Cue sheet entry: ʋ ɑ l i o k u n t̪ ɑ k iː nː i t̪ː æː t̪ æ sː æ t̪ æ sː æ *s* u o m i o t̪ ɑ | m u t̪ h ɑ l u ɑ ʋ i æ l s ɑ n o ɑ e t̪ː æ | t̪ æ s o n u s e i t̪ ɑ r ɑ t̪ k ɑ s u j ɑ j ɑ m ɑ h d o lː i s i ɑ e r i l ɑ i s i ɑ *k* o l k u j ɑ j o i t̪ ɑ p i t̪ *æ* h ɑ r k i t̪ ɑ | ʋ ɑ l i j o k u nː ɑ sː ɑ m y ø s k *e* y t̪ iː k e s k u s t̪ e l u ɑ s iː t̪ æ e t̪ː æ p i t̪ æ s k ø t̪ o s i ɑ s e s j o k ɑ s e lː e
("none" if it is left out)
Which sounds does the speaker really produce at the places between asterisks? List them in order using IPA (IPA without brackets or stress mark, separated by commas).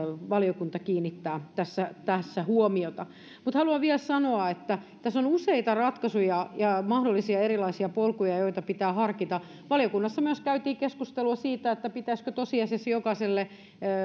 h, p, æː, æ